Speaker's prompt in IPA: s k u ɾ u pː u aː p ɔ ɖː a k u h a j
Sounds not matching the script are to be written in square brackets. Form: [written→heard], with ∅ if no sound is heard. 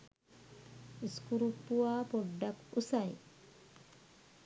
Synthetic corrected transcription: s k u ɾ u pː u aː p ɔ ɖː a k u [h→s] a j

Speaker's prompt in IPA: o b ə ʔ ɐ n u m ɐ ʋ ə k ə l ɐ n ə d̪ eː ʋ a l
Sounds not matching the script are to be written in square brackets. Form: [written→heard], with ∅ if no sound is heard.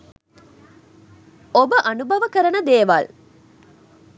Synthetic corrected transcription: o b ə ʔ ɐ n u [m→b] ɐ ʋ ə k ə [l→ɾ] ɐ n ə d̪ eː ʋ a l

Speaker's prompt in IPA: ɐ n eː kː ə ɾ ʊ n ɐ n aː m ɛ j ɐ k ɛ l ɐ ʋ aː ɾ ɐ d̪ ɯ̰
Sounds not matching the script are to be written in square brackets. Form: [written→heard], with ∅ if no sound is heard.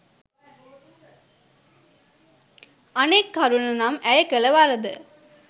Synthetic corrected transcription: ɐ n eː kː [ə→ɐ] ɾ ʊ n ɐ n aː m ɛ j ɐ k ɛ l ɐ ʋ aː ɾ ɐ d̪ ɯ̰

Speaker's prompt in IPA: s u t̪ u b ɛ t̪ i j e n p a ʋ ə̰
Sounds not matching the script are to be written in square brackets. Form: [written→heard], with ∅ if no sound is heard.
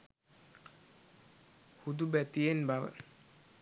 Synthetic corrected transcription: [s→h] u [t̪→d̪] u b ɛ t̪ i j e n [p→b] a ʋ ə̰

